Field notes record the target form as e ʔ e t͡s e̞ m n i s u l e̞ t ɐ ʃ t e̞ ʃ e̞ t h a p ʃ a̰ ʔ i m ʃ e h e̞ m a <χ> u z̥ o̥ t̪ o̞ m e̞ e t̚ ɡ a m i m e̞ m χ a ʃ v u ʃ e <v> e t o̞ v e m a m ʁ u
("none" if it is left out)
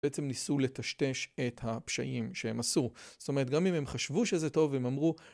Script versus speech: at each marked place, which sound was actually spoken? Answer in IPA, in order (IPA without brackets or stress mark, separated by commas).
s, z